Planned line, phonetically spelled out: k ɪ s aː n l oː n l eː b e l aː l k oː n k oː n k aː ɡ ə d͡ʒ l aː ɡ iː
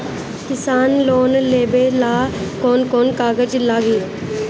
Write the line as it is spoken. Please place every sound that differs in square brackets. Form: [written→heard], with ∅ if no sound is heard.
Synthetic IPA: k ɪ s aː n l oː n l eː b e l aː [l→∅] k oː n k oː n k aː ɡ ə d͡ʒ l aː ɡ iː